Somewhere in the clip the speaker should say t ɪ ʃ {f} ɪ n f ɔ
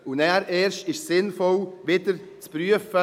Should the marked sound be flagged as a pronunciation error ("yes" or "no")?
yes